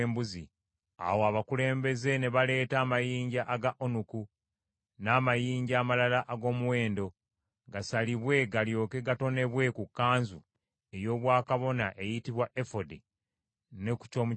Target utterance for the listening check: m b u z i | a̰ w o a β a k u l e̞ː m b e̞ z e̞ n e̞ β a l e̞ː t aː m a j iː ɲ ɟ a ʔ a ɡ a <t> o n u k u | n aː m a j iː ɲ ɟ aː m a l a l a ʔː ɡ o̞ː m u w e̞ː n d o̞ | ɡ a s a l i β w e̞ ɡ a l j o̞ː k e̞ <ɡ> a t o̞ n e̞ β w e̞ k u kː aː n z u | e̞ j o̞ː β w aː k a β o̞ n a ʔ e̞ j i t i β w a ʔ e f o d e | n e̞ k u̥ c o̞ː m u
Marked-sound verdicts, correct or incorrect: incorrect: ʔ, correct

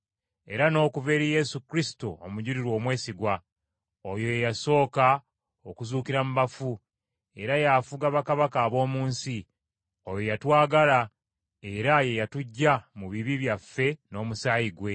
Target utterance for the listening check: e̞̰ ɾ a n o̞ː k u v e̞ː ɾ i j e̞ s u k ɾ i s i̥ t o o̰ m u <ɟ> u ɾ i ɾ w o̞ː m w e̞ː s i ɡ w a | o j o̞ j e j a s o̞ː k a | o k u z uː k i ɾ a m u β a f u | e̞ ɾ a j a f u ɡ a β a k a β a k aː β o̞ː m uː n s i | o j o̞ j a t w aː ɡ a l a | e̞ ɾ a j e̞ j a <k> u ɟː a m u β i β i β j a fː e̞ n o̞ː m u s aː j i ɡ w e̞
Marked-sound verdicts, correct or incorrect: correct, incorrect: t

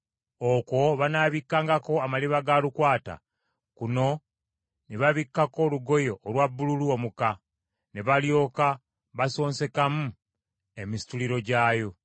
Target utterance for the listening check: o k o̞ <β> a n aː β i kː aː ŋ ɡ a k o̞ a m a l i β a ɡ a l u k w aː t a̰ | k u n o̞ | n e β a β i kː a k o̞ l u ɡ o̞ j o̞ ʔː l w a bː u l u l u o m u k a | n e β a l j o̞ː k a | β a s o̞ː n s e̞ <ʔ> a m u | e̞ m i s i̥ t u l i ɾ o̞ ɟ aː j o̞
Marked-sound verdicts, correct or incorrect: correct, incorrect: k

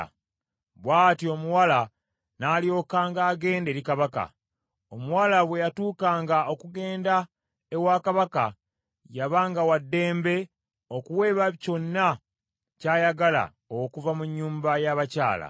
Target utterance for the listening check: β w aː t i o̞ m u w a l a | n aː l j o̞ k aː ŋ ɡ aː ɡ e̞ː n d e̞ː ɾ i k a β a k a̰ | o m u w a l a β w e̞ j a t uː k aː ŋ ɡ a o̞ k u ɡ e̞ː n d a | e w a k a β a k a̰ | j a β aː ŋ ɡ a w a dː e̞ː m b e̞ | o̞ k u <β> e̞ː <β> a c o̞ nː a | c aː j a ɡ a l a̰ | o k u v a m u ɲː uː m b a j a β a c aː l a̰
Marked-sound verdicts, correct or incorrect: incorrect: w, correct

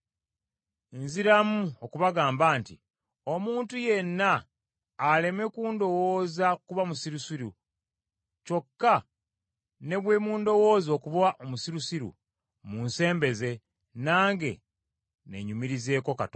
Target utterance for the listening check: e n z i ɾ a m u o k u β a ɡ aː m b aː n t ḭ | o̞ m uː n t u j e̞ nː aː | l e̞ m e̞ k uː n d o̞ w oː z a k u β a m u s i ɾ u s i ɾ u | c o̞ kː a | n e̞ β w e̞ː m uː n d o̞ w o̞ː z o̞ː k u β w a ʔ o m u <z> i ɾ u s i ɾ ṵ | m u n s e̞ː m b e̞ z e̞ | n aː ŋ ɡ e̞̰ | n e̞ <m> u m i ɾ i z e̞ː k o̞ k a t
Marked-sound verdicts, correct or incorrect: incorrect: s, incorrect: ɲ

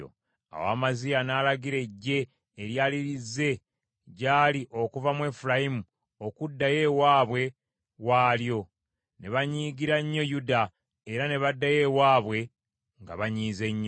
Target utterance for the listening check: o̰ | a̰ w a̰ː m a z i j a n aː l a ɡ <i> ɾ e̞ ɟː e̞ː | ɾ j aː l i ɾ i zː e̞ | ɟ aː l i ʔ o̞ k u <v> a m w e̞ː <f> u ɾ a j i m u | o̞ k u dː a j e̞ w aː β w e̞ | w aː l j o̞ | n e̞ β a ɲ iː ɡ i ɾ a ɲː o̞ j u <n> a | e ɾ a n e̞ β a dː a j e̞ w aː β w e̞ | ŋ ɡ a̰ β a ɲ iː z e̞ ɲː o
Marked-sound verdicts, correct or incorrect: correct, correct, correct, incorrect: d

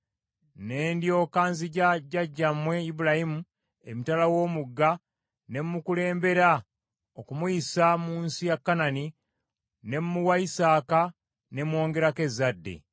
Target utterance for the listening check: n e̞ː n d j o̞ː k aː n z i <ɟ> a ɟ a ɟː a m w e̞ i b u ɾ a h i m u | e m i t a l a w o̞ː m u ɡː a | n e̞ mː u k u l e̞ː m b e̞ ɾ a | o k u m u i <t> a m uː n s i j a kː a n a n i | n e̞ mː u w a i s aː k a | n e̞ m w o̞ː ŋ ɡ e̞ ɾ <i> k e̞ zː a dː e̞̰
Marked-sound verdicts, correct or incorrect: correct, incorrect: s, incorrect: a

